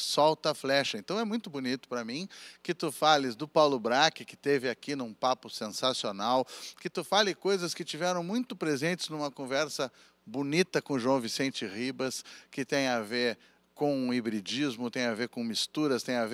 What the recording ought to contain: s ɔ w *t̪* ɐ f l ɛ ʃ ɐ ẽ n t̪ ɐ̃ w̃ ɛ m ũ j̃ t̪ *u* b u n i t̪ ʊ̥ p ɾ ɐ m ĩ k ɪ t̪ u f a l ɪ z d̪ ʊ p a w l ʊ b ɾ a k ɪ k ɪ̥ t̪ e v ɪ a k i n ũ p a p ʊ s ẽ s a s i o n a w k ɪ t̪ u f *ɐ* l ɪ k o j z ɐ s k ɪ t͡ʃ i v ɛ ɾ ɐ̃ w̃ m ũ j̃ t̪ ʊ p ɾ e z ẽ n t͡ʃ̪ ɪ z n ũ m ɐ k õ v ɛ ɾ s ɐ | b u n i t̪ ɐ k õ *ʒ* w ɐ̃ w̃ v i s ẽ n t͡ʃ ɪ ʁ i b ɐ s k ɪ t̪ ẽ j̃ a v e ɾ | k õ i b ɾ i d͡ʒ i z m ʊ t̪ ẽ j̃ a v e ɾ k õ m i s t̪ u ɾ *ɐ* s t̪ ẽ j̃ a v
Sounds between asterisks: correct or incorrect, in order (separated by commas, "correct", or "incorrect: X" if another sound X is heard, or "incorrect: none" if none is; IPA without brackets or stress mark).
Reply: correct, incorrect: ʊ, incorrect: a, correct, correct